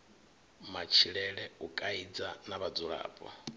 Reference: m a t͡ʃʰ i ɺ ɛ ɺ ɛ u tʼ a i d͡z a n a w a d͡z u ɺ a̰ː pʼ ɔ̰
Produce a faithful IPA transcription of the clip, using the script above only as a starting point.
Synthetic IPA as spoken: m a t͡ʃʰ i ɺ ɛ ɺ ɛ u kʼ a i d͡z a n a β a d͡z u ɺ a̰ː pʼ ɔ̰